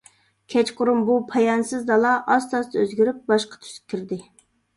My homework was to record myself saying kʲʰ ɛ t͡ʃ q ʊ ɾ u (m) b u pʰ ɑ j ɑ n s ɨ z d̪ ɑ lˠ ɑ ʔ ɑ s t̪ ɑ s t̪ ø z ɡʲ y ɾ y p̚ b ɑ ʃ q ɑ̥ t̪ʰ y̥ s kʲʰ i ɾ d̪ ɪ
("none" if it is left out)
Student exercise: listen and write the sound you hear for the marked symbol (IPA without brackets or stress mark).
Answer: m